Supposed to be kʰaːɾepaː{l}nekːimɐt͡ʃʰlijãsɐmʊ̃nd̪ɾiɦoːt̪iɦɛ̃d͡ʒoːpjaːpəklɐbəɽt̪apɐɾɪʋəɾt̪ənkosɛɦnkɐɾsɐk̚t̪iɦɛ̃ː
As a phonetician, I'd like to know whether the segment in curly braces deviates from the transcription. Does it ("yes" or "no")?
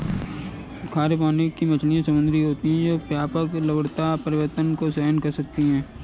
yes